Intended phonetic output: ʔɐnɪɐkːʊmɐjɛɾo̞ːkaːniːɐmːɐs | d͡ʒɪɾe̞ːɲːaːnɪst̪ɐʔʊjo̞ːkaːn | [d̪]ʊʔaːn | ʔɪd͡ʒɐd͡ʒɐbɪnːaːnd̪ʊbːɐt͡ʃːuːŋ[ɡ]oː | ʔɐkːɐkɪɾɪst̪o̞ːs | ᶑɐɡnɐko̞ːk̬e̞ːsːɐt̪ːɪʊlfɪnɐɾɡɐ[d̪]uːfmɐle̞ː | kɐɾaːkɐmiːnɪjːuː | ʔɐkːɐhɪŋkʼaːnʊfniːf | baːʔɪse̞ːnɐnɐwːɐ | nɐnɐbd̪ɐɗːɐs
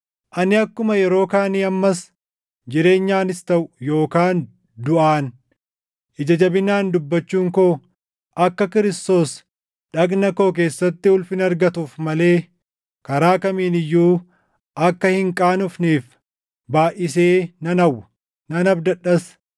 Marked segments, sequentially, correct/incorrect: correct, incorrect, incorrect

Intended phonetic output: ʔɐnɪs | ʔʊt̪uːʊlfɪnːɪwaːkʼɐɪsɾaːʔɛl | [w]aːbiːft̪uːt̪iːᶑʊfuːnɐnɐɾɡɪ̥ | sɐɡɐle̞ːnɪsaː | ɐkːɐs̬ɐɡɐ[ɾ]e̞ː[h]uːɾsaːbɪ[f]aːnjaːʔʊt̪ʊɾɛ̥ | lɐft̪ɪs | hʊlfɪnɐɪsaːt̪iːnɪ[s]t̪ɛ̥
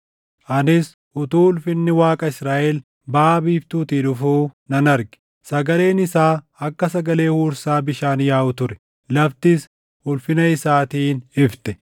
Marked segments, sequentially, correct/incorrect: incorrect, incorrect, correct, incorrect, incorrect

